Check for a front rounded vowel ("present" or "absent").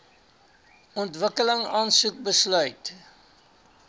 present